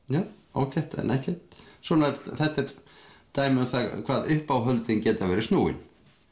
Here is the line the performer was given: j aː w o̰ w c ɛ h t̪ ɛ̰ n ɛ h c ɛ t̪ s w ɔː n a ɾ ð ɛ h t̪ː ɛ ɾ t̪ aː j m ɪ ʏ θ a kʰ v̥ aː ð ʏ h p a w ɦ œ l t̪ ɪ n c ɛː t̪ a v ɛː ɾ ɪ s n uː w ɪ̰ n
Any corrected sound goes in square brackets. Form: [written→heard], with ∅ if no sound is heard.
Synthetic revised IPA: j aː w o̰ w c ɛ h t̪ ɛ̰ n ɛ h c ɛ t̪ s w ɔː n a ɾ [ð→θ] ɛ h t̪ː ɛ ɾ t̪ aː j m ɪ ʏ θ a kʰ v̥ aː ð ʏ h p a w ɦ œ l t̪ ɪ n c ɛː t̪ a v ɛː ɾ ɪ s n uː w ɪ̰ n